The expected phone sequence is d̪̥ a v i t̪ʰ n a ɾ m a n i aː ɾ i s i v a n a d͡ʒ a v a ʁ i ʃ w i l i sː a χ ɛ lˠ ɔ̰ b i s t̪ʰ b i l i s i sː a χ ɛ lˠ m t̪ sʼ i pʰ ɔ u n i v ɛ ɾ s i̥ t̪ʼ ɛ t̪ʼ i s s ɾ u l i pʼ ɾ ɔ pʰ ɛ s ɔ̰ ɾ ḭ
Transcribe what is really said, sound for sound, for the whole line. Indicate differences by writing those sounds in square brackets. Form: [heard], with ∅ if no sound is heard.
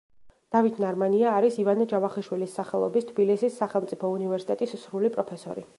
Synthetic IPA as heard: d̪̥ a v i t̪ʰ n a ɾ m a n i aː ɾ i s i v a n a d͡ʒ a v a [χ] i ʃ w i l i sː a χ ɛ lˠ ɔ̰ b i s t̪ʰ b i l i s i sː a χ ɛ lˠ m t̪ sʼ i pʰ ɔ u n i v ɛ ɾ s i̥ t̪ʼ ɛ t̪ʼ i s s ɾ u l i pʼ ɾ ɔ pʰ ɛ s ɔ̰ ɾ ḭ